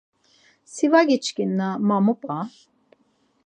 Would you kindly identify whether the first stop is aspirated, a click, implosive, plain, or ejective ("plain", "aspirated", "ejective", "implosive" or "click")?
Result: plain